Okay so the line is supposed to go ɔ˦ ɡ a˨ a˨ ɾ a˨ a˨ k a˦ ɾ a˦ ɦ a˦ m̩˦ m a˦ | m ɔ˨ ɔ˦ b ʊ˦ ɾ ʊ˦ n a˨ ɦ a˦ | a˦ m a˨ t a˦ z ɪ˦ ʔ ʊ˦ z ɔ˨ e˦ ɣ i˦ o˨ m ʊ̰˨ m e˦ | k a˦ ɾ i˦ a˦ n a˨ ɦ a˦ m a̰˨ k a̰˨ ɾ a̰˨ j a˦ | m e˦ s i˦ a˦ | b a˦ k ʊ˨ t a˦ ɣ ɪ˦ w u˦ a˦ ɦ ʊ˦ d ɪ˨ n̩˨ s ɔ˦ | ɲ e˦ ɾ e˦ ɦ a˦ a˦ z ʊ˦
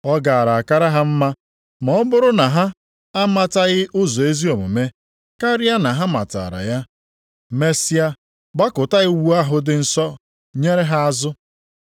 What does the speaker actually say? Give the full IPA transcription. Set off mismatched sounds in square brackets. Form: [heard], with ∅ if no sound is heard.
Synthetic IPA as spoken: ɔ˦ ɡ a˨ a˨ ɾ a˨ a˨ k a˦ ɾ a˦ ɦ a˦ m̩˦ m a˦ | m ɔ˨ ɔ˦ b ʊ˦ ɾ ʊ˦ n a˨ ɦ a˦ | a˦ m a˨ t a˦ [ɣ] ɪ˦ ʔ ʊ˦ z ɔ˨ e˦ [z] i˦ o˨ m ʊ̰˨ m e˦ | k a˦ ɾ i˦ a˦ n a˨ ɦ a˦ m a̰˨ [t] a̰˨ ɾ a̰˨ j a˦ | m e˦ s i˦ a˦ | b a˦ k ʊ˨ t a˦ ɣ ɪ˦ w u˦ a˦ ɦ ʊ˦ d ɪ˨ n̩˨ s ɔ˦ | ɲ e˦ ɾ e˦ ɦ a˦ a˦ z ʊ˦